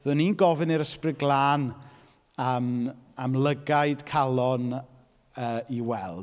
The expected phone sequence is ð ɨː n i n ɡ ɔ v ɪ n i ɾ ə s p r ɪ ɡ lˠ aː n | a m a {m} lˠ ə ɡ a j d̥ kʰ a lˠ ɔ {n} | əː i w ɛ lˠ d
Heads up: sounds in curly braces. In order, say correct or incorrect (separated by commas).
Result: correct, correct